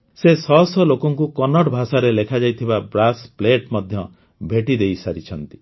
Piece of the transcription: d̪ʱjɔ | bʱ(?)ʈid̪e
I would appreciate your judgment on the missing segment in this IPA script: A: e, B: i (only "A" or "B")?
A